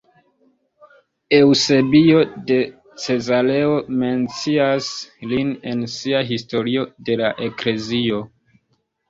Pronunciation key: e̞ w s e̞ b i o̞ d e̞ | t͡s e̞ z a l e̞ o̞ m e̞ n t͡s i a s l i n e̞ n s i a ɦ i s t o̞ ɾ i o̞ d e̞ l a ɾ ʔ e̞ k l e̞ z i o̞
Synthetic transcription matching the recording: e̞ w s e̞ b i o̞ d e̞ | t͡s e̞ z a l e̞ o̞ m e̞ n t͡s i a s l i n e̞ n s i a ɦ i s t o̞ ɾ i o̞ d e̞ l a ʔ e̞ k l e̞ z i o̞